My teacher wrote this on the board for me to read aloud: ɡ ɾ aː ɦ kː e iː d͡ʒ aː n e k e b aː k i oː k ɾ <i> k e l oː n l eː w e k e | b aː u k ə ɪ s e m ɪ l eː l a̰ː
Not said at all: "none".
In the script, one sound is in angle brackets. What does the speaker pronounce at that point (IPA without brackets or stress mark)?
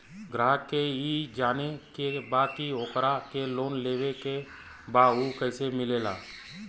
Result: a